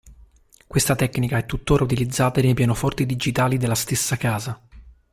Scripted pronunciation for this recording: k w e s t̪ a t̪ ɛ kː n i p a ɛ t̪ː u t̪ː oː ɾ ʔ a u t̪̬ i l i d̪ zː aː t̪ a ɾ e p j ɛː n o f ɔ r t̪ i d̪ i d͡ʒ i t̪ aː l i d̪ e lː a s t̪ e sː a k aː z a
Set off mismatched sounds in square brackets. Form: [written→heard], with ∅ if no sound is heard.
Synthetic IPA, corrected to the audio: k w e s t̪ a t̪ ɛ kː n i [p→k] a ɛ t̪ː u t̪ː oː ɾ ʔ a u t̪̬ i l i d̪ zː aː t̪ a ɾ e p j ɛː n o f ɔ r t̪ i d̪ i d͡ʒ i t̪ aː l i d̪ e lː a s t̪ e sː a k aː z a